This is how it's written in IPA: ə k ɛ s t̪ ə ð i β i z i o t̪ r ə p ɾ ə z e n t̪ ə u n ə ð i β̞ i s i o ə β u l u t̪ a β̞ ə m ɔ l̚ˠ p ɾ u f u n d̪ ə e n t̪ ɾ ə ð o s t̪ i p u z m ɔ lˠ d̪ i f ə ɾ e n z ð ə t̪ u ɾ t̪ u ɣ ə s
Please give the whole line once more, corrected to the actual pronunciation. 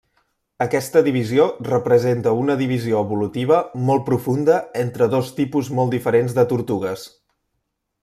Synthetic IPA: ə k ɛ s t̪ ə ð i β i z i o r ə p ɾ ə z e n t̪ ə u n ə ð i β̞ i z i o ə β u l u t̪ i β̞ ə m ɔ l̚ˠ p ɾ u f u n d̪ ə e n t̪ ɾ ə ð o s t̪ i p u z m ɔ lˠ d̪ i f ə ɾ e n z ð ə t̪ u ɾ t̪ u ɣ ə s